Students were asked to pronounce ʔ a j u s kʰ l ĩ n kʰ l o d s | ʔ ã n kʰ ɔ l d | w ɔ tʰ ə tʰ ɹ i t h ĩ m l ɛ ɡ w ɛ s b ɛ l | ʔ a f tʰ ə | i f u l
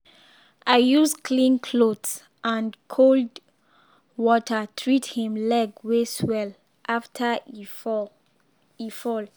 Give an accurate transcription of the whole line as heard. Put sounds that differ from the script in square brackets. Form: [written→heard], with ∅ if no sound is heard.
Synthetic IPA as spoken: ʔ a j u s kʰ l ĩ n kʰ l o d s | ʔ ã n kʰ [ɔ→o] l d | w ɔ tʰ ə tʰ ɹ i t h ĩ m l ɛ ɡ w [ɛ→e] s [b→w] ɛ l | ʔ a f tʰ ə | i f [u→ɔ] l